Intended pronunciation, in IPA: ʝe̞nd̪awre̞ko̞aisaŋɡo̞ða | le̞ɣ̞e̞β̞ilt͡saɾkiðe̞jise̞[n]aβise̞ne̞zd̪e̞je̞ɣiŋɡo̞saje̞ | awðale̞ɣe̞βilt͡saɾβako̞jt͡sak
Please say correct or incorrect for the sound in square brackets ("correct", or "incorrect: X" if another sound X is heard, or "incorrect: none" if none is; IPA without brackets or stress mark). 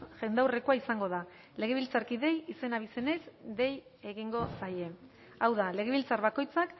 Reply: correct